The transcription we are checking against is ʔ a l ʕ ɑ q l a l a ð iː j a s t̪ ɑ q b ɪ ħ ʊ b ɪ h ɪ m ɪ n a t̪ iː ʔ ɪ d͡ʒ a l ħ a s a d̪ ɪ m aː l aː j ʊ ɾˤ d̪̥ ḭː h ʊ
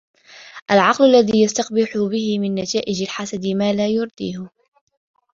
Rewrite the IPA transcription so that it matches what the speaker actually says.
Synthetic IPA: ʔ a l ʕ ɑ q l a lː a ð iː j a s t̪ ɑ q b ɪ ħ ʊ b ɪ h ɪ m ɪ nː a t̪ aː ʔ ɪ d͡ʒ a l ħ a s a d̪ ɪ m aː l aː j ʊ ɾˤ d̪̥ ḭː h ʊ